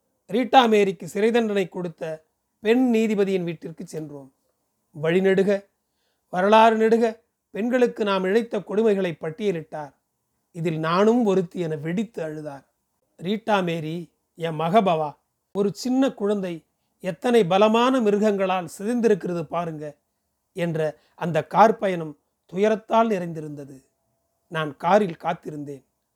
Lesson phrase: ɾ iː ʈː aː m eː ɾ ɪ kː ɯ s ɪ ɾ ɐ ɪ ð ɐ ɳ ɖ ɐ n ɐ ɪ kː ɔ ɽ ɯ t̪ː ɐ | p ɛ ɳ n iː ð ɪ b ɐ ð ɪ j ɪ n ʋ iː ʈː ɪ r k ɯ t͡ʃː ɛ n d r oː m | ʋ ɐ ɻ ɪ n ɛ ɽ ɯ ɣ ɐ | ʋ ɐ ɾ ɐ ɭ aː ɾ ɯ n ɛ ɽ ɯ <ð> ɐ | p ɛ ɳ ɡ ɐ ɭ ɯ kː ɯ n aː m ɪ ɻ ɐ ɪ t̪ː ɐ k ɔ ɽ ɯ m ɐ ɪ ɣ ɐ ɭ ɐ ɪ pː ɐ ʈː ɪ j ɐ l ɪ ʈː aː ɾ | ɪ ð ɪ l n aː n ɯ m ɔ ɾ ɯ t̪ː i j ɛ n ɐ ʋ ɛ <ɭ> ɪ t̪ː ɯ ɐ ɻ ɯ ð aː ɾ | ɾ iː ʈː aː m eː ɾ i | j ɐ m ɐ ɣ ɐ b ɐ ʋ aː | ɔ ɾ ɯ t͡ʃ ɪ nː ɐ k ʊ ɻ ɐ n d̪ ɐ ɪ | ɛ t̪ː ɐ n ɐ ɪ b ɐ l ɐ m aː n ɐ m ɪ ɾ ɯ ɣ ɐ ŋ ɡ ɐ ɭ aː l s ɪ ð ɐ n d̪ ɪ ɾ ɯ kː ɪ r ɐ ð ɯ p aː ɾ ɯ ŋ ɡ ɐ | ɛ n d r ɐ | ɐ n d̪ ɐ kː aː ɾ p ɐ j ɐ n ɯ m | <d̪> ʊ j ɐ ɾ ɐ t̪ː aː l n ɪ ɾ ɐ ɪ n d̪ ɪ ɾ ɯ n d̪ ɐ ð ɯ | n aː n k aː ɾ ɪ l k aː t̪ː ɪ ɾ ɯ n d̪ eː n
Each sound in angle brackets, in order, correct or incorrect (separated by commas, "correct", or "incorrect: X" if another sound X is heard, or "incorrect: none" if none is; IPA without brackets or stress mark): incorrect: ɣ, incorrect: ɽ, incorrect: t̪